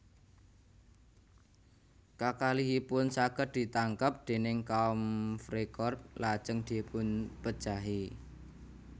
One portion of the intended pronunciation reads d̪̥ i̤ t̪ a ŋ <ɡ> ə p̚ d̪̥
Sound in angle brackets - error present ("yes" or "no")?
yes